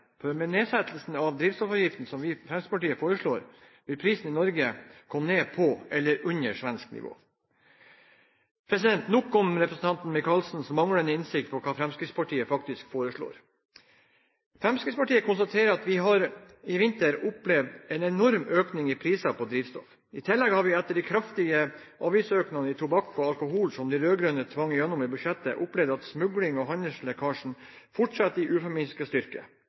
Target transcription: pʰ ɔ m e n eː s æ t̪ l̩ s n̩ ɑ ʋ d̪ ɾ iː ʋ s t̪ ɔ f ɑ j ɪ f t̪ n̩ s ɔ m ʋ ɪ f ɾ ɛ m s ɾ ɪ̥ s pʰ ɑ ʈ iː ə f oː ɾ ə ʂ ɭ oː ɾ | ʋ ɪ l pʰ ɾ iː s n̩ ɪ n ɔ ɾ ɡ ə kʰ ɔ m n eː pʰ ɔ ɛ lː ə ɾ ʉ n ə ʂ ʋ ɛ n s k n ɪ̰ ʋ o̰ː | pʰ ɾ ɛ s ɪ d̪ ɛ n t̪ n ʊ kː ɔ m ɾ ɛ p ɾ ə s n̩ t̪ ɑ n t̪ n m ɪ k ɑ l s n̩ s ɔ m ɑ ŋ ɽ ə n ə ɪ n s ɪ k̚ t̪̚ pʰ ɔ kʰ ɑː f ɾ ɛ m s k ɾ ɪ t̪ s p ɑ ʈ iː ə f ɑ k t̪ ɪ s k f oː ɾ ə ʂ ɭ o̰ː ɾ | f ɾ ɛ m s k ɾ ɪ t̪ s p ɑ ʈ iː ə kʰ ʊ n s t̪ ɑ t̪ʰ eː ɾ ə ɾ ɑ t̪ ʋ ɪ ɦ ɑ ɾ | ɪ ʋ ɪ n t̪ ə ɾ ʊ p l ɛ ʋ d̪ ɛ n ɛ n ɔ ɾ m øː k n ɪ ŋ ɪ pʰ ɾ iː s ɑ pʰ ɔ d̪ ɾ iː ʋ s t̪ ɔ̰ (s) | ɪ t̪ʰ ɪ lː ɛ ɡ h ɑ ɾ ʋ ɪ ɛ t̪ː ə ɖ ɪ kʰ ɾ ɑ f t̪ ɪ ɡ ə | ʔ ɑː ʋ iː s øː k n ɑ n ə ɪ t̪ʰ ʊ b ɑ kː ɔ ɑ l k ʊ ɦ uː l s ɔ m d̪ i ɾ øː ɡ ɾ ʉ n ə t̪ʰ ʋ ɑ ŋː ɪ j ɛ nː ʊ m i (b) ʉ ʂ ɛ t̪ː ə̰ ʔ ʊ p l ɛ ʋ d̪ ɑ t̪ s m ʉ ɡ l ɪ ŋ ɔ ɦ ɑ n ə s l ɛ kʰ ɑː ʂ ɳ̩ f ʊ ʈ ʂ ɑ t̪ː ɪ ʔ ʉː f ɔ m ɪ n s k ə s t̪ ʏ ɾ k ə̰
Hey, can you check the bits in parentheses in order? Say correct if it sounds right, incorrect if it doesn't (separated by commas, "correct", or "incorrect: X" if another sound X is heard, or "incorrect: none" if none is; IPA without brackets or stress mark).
incorrect: f, correct